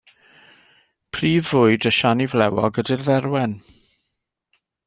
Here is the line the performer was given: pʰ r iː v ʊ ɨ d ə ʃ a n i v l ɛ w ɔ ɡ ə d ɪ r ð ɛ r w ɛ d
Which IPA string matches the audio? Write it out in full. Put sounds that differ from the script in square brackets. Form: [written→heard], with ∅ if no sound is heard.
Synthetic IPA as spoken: pʰ r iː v ʊ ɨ d ə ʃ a n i v l ɛ w ɔ ɡ ə d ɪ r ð ɛ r w ɛ [d→n]